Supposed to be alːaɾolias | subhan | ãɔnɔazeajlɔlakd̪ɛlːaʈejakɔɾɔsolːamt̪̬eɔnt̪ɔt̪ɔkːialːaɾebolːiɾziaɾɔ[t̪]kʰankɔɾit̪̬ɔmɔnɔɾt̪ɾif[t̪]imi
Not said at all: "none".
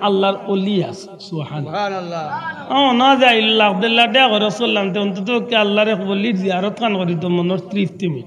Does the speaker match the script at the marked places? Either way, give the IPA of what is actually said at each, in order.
t̪, t̪

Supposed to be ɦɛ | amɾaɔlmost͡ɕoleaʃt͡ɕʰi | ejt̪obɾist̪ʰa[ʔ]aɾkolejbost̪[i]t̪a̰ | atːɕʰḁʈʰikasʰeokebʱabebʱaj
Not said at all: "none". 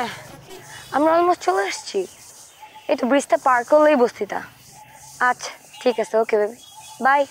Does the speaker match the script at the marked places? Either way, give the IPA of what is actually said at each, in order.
p, i

